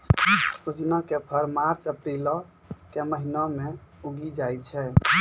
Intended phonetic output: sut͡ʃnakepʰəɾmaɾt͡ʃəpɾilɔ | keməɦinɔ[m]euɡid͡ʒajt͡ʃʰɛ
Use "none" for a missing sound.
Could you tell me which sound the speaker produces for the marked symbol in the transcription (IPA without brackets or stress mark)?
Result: m